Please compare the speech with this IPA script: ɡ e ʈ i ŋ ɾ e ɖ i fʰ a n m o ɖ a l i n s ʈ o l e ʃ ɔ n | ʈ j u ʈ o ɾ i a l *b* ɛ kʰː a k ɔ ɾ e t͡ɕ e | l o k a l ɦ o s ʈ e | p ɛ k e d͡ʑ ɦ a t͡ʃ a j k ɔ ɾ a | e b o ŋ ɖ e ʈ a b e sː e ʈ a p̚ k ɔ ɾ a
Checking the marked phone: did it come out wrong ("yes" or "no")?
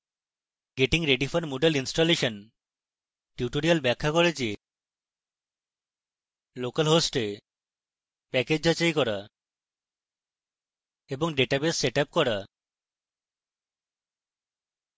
no